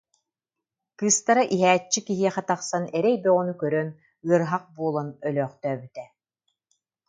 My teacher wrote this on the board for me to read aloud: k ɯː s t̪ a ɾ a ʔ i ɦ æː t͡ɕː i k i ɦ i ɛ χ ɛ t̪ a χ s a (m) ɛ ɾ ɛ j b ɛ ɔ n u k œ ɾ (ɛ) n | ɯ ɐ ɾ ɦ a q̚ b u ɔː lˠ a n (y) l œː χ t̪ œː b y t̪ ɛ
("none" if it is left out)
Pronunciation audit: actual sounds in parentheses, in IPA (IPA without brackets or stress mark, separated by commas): n, œ, œ